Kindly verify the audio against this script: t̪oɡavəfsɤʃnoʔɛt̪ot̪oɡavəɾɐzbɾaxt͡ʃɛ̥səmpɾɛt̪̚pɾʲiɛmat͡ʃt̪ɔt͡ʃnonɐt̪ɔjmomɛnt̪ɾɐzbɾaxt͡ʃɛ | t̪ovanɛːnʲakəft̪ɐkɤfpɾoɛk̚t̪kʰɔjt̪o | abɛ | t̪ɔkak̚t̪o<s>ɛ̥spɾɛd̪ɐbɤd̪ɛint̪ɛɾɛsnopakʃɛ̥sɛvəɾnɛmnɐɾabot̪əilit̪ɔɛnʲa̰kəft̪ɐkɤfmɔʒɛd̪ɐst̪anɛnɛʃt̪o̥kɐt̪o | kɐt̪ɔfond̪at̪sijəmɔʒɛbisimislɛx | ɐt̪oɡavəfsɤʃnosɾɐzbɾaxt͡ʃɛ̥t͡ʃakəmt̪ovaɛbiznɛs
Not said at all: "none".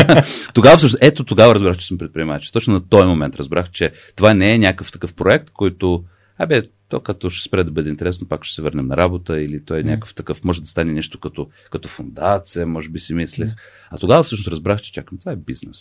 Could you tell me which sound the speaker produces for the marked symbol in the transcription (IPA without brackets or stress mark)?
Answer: ʃ